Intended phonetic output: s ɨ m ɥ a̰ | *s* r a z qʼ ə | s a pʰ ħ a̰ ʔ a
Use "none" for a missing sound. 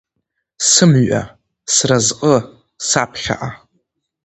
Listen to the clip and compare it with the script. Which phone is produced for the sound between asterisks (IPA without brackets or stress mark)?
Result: s